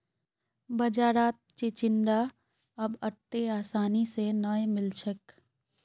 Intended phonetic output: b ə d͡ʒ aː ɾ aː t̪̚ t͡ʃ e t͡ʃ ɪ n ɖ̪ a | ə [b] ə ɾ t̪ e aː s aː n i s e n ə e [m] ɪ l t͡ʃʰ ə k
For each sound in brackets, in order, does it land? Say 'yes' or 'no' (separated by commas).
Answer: yes, yes